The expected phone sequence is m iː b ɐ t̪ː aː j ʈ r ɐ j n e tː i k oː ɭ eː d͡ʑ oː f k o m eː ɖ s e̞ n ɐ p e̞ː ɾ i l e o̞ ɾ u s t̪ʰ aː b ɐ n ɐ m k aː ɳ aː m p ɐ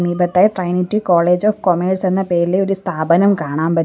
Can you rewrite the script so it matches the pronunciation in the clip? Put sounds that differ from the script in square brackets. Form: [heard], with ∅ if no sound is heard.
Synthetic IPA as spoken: m iː b ɐ t̪ː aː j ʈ r ɐ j n [i] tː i k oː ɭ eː d͡ʑ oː f k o m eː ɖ s e̞ [nː] ɐ p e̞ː ɾ i l e o̞ ɾ u s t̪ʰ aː b ɐ n ɐ m k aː ɳ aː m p ɐ